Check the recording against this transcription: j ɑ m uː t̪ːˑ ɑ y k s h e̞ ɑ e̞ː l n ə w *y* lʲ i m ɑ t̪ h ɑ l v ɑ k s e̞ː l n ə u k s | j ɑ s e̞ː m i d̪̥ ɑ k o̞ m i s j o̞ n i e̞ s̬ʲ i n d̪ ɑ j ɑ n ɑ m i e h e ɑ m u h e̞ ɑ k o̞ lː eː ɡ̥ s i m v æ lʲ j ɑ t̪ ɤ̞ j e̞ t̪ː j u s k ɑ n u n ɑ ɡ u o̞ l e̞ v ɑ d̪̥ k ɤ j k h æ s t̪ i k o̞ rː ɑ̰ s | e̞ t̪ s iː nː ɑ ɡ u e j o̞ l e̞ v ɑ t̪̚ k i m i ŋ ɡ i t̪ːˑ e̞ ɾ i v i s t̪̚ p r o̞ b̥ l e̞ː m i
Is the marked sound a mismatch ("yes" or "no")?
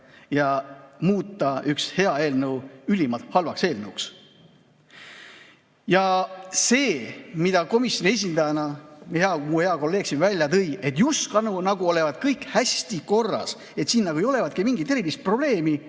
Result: no